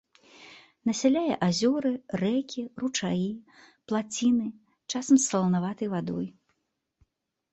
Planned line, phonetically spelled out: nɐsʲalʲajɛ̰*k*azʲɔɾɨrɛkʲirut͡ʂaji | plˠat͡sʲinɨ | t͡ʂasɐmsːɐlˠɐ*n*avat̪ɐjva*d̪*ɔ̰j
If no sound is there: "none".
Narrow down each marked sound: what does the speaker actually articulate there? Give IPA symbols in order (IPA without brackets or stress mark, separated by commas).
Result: ʔ, n, d̪